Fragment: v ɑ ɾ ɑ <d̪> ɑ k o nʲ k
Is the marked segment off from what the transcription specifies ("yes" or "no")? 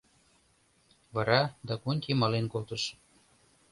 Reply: no